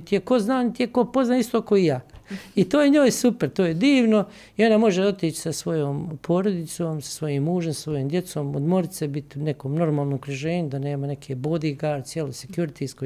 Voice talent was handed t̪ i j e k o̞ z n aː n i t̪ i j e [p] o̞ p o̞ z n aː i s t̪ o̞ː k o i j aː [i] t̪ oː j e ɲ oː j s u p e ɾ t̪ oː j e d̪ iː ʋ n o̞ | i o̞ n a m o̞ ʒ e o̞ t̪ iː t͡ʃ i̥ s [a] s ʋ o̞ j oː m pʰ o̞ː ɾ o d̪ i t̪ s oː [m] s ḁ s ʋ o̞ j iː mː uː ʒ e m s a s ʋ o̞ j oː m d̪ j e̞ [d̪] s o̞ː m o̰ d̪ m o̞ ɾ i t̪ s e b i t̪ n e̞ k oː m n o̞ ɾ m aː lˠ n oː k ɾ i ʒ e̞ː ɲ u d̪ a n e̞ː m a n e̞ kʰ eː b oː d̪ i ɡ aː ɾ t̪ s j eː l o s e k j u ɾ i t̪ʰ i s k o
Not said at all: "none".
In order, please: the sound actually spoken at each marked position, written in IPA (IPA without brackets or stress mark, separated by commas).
k, i, a, m, t̪